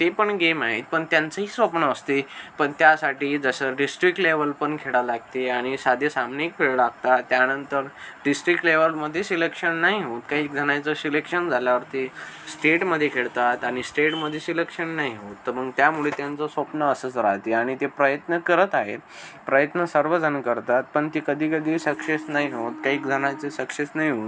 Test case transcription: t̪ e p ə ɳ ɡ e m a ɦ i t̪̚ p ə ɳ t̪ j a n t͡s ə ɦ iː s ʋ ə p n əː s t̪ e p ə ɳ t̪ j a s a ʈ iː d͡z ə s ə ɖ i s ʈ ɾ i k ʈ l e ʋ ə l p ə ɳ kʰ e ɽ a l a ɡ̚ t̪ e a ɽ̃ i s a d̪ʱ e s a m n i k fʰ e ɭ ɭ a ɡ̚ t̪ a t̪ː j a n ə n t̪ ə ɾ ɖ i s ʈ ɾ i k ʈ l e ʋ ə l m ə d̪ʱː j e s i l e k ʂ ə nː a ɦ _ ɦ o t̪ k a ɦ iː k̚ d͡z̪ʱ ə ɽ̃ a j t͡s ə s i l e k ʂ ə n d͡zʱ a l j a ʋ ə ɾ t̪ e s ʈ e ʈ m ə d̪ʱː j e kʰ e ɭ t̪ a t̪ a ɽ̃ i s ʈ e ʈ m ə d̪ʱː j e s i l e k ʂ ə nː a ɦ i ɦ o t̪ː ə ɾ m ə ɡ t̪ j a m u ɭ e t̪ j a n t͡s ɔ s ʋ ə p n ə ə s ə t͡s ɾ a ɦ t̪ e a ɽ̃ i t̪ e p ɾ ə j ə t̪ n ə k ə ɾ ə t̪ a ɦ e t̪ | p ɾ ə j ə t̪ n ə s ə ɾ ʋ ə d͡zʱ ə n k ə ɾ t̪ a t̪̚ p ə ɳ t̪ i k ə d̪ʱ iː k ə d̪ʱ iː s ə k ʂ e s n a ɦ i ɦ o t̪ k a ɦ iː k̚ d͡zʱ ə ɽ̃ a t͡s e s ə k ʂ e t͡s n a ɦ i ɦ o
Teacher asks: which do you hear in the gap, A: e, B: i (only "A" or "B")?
B